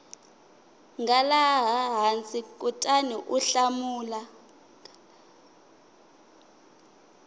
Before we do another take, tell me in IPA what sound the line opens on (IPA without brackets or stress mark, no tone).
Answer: ŋ